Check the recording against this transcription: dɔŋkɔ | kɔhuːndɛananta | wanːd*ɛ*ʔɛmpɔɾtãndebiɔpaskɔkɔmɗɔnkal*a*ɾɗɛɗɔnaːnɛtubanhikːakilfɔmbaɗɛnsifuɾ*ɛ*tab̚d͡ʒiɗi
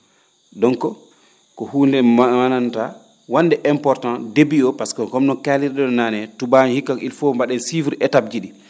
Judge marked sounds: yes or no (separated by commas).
yes, no, yes